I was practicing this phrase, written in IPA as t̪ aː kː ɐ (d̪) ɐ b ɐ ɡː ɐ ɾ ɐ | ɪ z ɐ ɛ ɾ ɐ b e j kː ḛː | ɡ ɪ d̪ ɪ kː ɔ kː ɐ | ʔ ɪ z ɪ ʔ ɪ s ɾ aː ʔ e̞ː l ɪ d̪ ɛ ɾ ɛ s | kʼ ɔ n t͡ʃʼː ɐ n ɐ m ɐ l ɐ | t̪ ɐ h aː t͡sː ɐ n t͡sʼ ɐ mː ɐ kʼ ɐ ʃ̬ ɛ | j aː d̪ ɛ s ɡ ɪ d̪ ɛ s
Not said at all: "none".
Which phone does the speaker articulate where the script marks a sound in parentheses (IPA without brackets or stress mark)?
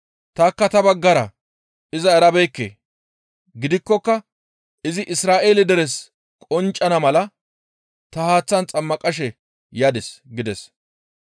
t̪